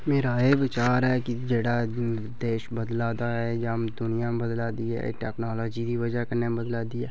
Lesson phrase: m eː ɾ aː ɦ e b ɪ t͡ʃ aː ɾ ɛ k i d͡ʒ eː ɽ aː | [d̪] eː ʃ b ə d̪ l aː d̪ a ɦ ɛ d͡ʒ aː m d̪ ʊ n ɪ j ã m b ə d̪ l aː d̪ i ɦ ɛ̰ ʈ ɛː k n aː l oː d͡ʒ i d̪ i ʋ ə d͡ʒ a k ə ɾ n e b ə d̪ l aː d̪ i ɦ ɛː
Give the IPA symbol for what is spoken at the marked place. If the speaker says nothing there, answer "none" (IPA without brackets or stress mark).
d̪